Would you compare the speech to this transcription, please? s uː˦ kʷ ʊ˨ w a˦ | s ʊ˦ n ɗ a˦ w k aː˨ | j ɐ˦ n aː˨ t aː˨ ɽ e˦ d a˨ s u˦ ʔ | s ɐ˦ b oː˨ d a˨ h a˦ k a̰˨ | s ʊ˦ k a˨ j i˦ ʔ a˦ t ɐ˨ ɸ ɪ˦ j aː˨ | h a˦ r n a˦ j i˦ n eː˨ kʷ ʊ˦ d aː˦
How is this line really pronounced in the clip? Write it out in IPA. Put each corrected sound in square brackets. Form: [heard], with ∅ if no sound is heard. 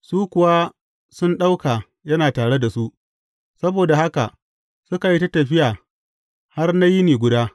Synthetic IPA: s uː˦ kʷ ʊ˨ w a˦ | s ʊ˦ n ɗ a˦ w k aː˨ | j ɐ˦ n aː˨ t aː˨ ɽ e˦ d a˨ s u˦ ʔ | s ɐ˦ b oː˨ d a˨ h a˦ k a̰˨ | s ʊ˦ k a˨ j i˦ [t] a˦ t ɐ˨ ɸ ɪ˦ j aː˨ | h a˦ r n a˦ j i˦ n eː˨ [ɡʷ] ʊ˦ d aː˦